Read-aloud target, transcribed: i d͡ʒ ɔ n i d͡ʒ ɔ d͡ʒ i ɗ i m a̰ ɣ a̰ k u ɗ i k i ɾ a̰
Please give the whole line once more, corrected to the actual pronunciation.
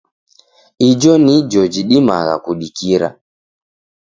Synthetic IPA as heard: i d͡ʒ ɔ n i d͡ʒ ɔ d͡ʒ i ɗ i m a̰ ɣ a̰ k u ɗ i k i ɾ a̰